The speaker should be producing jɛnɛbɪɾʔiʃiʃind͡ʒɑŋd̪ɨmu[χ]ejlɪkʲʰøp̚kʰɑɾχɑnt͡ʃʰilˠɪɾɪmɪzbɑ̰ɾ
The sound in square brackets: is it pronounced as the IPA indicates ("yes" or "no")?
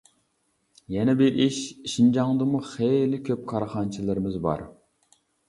yes